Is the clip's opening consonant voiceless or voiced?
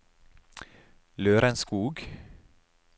voiced